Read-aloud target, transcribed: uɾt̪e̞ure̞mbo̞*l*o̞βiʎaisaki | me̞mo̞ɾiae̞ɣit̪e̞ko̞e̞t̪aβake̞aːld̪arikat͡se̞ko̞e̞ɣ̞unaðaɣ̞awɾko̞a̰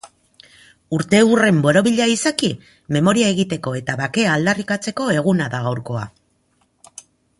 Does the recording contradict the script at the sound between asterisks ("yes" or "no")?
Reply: yes